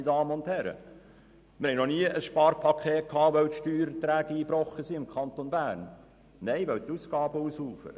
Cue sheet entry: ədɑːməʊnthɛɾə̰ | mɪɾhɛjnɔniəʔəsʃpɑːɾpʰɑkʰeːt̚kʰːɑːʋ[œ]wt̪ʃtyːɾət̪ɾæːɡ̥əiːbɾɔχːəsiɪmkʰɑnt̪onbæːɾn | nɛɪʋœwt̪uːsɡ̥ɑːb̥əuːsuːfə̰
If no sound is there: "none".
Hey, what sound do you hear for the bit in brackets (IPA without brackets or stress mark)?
œ